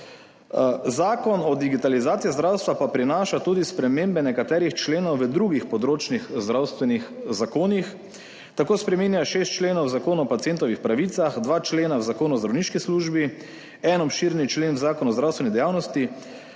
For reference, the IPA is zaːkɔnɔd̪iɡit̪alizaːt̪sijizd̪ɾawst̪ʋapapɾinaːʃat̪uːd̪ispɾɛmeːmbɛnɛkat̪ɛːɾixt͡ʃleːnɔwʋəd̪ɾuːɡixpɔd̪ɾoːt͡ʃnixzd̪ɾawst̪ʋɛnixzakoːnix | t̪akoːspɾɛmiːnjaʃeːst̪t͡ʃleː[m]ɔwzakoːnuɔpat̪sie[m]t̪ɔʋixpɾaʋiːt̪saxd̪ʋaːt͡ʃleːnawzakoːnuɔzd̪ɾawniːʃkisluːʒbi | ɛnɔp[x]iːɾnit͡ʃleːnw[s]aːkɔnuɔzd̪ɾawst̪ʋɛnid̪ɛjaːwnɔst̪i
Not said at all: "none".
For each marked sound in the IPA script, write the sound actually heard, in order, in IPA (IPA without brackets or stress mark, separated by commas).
n, n, ʃ, z